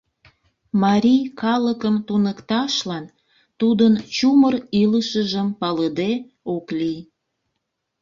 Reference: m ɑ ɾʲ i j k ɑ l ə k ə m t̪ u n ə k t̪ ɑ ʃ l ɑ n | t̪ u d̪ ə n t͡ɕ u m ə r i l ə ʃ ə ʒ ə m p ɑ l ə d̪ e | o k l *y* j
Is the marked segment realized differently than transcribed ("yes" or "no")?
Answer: yes